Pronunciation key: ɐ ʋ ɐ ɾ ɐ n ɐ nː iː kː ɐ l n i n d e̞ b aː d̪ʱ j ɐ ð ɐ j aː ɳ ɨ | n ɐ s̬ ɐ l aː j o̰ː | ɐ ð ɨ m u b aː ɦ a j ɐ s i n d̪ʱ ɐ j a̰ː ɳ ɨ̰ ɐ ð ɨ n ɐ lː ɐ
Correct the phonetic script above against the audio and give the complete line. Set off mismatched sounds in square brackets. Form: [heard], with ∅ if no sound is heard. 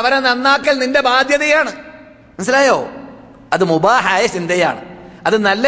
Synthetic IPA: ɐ ʋ ɐ ɾ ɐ n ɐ nː [aː] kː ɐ l n i n d e̞ b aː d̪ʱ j ɐ ð ɐ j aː ɳ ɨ | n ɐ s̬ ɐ l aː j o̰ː | ɐ ð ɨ m u b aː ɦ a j ɐ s i n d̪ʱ ɐ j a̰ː ɳ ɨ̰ ɐ ð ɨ n ɐ lː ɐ